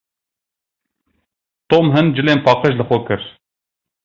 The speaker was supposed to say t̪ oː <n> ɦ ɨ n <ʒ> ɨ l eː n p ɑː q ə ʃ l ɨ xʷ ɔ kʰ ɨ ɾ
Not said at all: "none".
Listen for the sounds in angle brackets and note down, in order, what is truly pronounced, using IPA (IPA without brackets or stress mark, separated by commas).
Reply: m, d͡ʒ